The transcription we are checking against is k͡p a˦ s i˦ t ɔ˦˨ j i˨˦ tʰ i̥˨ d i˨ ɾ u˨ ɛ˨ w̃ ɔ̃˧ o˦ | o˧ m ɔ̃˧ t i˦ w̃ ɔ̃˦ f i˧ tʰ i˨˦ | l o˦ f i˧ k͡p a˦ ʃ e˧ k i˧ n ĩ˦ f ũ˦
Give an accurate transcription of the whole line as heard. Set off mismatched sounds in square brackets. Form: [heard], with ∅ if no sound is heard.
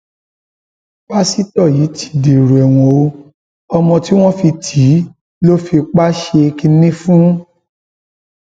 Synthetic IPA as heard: k͡p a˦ s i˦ t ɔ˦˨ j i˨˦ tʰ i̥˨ d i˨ ɾ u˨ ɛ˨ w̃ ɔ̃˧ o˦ | [ɔ˧] m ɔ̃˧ t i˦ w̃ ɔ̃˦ f i˧ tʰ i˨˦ | l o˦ f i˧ k͡p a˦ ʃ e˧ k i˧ n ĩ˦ f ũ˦